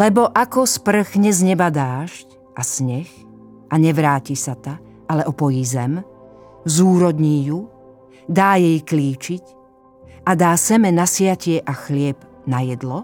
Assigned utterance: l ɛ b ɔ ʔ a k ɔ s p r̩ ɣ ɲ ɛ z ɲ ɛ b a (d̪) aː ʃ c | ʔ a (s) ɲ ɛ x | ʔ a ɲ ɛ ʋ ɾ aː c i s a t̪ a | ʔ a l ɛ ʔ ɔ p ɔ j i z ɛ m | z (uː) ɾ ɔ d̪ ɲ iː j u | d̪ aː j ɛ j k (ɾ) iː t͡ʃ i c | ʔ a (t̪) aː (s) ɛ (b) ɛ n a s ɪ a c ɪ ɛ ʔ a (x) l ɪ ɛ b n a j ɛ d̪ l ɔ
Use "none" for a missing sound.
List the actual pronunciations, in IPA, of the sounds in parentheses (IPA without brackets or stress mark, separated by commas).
d̪, s, uː, l, d̪, s, m, x